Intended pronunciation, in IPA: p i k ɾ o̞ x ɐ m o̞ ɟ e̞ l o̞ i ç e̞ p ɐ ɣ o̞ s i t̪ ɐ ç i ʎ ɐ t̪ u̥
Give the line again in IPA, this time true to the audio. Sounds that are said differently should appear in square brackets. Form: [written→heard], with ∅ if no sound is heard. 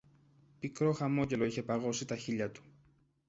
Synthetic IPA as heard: p i k ɾ o̞ x ɐ m o̞ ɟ e̞ l o̞ i ç e̞ p ɐ ɣ o̞ s i t̪ ɐ ç i ʎ ɐ t̪ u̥

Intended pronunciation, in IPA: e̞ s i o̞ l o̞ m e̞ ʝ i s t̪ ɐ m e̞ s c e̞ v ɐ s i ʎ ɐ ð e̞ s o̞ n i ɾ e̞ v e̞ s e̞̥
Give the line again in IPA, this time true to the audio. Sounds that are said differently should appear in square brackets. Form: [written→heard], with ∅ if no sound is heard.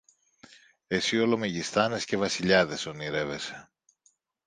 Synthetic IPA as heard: e̞ s i o̞ l o̞ m e̞ ʝ i s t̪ ɐ [m→n] e̞ s c e̞ v ɐ s i ʎ ɐ ð e̞ s o̞ n i ɾ e̞ v e̞ s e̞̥

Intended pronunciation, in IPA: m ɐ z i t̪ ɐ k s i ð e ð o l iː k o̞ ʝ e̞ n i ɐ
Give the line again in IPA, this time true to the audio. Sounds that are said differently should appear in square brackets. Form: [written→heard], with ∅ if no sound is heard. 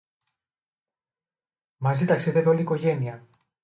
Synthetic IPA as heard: m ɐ z i t̪ ɐ k s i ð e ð o l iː k o̞ ʝ e̞ n i ɐ

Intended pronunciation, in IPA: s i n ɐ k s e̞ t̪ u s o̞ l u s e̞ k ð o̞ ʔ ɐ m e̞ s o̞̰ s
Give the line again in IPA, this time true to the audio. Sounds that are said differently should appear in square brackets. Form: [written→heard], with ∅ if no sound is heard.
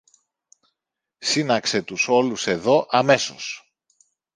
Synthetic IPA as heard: s i n ɐ k s e̞ t̪ u s o̞ l u s e̞ [k→∅] ð o̞ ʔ ɐ m e̞ s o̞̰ s

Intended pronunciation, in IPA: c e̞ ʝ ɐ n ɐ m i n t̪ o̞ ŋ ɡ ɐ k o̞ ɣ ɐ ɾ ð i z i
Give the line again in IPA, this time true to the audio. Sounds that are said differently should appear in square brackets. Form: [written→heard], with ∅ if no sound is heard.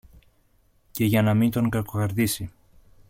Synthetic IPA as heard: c e̞ ʝ ɐ n ɐ m i n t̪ o̞ ŋ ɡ ɐ k o̞ ɣ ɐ ɾ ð i [z→s] i

